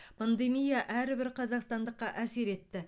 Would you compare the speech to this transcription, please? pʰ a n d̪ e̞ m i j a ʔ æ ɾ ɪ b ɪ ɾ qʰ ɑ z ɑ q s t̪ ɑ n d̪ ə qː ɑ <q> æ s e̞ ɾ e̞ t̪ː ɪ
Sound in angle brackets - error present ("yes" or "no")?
yes